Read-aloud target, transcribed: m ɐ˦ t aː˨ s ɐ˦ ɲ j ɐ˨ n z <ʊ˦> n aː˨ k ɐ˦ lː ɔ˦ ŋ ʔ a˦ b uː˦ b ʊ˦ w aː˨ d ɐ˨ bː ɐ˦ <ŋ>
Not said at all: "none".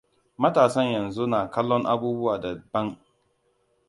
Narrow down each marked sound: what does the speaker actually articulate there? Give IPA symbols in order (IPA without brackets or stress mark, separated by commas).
u˦, ŋ